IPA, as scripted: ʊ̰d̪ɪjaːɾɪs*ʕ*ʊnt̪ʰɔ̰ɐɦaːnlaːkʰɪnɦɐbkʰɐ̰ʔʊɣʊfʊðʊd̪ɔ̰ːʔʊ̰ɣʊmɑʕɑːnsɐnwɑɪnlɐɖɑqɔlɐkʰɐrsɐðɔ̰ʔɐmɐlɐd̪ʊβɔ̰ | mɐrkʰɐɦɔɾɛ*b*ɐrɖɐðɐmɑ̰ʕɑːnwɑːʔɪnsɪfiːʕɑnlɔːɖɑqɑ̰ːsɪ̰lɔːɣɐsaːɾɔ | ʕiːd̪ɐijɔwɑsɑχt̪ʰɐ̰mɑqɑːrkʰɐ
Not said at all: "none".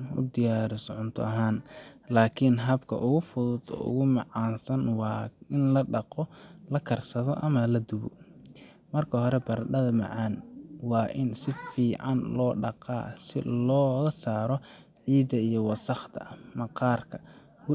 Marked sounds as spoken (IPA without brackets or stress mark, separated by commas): ʕ, b